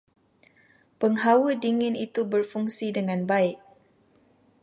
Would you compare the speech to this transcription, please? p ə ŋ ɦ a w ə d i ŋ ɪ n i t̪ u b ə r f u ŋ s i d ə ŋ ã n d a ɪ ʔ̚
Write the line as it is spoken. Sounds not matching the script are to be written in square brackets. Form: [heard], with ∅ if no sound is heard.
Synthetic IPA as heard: p ə ŋ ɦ a w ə d i ŋ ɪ n i t̪ u b ə r f u ŋ s i d ə ŋ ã n [b] a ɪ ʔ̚